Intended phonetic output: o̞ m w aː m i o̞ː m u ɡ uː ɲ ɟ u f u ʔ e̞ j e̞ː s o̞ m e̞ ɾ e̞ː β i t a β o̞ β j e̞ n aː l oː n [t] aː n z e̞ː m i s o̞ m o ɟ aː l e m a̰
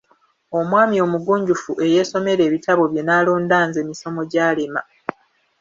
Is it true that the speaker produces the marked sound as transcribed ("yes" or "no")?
no